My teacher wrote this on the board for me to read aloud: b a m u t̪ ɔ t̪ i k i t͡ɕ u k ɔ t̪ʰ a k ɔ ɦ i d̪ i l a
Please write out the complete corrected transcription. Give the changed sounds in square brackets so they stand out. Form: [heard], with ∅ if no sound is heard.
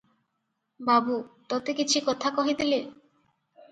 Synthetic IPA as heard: b a [b] u t̪ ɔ t̪ [e] k i [t͡ɕʰ] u k ɔ t̪ʰ a k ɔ ɦ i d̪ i l [e]